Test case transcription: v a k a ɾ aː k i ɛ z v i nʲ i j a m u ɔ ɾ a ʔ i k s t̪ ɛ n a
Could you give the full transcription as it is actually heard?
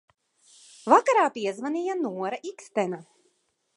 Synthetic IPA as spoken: v a k a ɾ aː p i ɛ z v a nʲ i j a n u ɔ ɾ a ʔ i k s t̪ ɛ n a